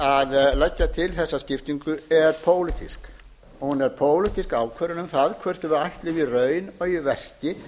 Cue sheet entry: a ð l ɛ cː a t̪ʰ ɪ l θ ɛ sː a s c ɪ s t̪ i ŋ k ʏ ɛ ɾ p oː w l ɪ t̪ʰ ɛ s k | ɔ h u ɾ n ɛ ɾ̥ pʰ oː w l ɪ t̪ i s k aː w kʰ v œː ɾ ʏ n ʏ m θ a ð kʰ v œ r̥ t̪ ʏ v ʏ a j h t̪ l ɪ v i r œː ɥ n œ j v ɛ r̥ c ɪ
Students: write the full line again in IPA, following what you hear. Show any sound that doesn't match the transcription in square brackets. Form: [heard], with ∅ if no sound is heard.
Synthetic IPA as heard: a ð l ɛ cː a t̪ʰ ɪ l θ ɛ sː a s c ɪ [f] t̪ i ŋ k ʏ ɛ ɾ [pʰ] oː w l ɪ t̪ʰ [i] s k | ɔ h u [∅] n ɛ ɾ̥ pʰ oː w l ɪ t̪ i s k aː w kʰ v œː ɾ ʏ n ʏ m θ a ð kʰ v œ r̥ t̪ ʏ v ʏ a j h t̪ l ɪ v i r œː ɥ n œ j v ɛ r̥ c ɪ